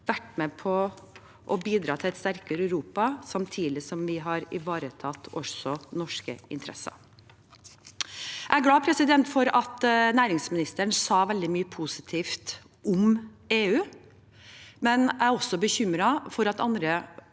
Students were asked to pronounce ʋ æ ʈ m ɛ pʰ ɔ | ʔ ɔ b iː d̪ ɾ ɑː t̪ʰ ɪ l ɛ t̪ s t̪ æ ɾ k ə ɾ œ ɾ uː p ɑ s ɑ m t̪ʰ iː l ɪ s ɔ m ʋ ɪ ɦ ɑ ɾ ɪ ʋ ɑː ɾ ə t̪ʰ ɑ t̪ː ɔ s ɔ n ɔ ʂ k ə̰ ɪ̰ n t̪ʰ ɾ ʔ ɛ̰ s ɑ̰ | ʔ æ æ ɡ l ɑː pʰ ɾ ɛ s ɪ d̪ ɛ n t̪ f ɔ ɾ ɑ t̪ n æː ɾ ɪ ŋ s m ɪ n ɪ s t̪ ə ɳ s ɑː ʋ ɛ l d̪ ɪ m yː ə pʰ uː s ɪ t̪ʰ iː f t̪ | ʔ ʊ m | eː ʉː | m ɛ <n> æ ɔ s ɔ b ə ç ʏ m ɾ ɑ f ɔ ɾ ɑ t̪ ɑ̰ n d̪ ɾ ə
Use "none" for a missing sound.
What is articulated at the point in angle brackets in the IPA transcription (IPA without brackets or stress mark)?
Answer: n